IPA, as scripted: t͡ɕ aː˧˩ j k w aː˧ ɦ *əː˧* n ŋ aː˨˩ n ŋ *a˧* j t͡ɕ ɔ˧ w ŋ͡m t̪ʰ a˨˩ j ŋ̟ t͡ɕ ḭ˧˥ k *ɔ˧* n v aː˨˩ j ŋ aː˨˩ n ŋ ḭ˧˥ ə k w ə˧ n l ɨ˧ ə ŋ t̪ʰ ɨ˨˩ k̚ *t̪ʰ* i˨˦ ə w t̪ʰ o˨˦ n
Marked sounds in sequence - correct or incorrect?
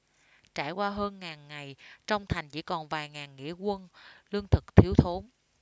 correct, incorrect, incorrect, correct

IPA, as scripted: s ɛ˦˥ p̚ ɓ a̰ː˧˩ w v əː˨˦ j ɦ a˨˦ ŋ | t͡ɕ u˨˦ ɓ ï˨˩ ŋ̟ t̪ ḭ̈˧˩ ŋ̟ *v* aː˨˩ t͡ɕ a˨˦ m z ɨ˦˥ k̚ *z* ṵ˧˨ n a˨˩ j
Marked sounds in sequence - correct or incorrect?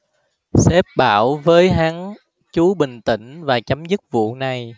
correct, incorrect

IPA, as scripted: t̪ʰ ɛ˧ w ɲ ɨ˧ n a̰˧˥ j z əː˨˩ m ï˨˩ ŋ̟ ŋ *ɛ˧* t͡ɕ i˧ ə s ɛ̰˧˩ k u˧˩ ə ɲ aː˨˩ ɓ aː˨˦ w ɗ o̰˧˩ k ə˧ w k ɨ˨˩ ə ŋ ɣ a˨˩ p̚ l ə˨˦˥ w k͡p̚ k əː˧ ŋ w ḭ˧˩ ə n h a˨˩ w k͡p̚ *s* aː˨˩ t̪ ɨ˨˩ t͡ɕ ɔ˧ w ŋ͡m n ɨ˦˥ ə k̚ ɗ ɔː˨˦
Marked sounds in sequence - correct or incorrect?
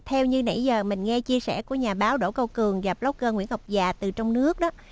correct, incorrect

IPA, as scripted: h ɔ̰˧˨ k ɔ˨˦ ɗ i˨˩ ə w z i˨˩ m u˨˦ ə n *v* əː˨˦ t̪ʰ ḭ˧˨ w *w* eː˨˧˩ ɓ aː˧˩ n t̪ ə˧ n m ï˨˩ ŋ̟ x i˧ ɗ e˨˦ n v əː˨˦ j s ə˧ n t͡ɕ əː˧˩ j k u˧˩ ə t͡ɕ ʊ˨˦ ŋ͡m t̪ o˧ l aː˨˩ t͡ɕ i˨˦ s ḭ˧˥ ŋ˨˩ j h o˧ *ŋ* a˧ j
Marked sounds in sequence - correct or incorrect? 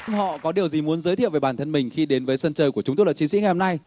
incorrect, incorrect, incorrect

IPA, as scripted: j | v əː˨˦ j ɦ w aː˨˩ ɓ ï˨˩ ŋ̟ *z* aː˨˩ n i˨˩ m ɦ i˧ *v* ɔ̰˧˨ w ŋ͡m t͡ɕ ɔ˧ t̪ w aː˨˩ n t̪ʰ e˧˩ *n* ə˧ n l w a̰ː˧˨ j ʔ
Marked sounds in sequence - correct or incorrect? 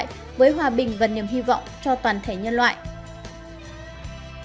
incorrect, correct, incorrect

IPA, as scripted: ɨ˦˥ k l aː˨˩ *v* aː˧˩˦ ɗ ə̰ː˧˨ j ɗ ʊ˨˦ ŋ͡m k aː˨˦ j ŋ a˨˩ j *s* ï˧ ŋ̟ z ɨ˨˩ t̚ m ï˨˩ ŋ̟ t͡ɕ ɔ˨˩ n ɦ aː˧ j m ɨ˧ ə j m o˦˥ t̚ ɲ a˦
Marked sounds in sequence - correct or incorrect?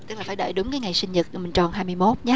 incorrect, correct

